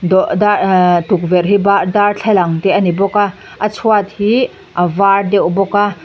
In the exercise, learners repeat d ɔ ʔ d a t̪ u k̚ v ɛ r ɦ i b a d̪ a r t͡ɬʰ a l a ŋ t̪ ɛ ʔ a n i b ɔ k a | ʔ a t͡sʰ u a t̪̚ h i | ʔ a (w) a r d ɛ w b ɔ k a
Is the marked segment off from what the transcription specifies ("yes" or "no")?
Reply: yes